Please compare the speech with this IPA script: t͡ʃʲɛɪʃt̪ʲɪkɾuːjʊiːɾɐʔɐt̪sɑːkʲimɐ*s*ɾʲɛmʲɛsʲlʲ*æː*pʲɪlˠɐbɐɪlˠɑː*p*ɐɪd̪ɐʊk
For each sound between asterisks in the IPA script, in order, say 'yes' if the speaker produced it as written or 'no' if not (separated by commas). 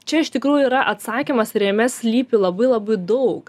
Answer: yes, no, no